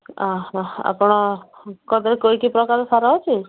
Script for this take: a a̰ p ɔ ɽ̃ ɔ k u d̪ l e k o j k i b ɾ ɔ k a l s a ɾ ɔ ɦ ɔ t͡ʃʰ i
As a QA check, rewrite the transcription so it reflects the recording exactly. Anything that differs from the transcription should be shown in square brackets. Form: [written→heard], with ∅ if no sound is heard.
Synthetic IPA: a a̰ p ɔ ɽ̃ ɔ k [u→ɔ] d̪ [l→ɾ] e k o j k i [b→p] ɾ ɔ k a [l→ɾ] s a ɾ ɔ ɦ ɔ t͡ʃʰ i